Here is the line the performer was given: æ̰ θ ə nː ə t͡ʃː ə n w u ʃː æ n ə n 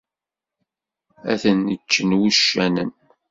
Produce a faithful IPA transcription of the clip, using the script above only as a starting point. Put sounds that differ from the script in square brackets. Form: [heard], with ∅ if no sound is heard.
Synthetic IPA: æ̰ θ ə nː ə t͡ʃː ə n w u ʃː æ n ə n